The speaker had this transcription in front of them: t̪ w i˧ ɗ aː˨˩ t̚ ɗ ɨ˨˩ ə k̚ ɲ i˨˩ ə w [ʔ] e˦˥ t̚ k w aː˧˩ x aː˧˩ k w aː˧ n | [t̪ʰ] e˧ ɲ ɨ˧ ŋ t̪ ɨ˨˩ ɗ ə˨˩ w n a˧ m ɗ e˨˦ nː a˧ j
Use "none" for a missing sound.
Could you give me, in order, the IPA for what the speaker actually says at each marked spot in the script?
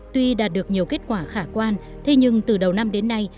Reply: k, t̪ʰ

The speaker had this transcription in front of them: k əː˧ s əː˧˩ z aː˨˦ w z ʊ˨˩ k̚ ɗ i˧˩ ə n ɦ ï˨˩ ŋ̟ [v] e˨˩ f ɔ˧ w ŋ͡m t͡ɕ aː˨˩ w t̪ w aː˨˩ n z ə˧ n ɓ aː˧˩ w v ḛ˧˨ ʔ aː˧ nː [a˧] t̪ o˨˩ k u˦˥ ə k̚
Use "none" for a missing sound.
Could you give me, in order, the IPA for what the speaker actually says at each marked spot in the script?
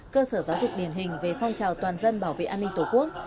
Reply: v, i˧

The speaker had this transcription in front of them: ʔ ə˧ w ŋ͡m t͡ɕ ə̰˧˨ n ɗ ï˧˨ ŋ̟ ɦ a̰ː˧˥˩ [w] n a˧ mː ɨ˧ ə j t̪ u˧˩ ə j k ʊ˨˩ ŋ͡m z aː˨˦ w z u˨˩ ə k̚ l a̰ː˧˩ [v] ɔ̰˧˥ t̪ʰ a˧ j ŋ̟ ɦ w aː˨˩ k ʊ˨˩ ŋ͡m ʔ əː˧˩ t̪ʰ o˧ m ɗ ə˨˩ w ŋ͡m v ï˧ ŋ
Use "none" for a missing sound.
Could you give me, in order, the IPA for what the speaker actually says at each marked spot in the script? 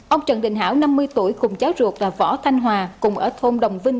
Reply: w, v

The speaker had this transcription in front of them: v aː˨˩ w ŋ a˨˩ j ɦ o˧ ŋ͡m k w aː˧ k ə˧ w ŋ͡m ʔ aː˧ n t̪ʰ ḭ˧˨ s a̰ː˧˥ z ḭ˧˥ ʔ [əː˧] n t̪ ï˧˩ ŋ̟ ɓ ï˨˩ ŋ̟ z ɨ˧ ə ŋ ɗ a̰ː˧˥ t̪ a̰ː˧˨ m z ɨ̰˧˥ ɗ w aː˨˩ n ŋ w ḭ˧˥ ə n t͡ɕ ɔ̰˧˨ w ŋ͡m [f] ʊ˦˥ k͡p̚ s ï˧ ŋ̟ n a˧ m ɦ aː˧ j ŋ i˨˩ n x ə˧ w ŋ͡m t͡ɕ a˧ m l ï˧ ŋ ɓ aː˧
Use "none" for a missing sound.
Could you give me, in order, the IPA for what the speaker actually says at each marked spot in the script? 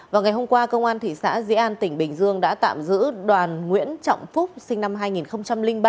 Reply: aː˧, f

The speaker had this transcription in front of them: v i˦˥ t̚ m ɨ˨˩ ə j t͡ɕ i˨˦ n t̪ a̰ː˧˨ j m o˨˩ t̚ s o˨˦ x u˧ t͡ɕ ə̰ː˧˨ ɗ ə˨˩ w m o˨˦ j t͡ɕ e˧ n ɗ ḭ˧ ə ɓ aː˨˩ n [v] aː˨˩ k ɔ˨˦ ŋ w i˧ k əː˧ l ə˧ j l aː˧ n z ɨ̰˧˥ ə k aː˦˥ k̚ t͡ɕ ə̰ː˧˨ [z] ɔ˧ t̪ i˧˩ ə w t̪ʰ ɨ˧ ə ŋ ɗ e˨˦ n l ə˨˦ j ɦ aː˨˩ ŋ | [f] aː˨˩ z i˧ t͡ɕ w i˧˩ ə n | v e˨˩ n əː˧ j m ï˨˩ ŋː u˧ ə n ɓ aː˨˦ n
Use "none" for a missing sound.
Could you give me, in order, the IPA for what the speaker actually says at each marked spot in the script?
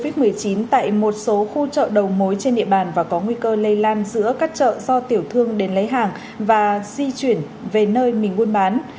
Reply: v, z, v

